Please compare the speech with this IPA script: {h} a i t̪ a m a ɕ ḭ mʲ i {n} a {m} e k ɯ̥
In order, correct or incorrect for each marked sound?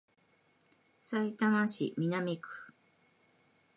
incorrect: s, correct, correct

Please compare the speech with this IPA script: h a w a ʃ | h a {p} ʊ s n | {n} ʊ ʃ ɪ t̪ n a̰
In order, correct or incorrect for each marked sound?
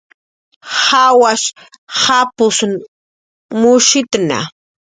correct, incorrect: m

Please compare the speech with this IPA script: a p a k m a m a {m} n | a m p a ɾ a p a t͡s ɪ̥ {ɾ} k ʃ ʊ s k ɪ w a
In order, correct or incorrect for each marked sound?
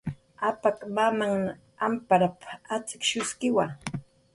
incorrect: ŋ, incorrect: none

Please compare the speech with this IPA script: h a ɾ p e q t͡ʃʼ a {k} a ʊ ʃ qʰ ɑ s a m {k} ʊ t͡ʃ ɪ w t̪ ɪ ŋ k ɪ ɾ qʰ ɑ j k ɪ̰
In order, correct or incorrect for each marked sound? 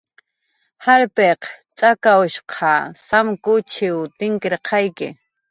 correct, correct

